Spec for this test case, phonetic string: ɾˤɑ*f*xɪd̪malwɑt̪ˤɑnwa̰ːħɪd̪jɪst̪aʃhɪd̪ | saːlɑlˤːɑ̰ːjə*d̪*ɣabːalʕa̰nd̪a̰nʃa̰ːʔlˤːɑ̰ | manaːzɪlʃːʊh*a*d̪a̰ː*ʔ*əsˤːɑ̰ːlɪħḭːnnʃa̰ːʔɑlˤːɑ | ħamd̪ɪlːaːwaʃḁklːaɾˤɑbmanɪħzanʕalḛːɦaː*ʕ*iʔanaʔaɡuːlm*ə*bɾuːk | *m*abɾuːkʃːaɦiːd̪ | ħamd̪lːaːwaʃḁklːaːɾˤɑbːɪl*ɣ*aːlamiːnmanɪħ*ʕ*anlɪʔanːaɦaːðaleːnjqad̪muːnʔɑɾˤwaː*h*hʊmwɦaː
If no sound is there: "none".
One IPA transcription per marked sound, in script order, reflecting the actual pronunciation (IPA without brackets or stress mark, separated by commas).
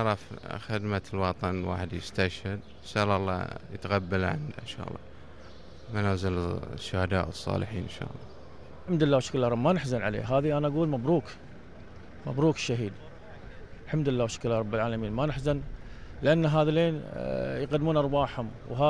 f, t̪, a, ʔ, ð, a, m, ʕ, z, ħ